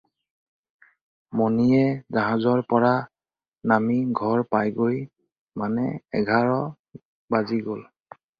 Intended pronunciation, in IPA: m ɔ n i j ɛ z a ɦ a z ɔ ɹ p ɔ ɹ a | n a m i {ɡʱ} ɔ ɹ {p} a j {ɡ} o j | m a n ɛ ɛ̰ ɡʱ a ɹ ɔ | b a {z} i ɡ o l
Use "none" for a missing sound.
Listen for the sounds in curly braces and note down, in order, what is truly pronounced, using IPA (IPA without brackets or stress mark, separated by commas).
ɡʱ, p, ɡ, z